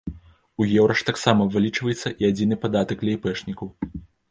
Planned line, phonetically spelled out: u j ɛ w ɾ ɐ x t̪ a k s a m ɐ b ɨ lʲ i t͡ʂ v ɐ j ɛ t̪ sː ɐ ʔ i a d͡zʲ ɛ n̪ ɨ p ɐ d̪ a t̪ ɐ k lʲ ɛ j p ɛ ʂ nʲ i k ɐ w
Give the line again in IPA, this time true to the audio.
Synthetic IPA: u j ɛ w ɾ ɐ ʂ t̪ a k s a m ɐ v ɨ lʲ i t͡ʂ v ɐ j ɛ t̪ sː ɐ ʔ i a d͡zʲ i n̪ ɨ p a d̪ a t̪ ɐ k lʲ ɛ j p ɛ ʂ nʲ i k ɐ w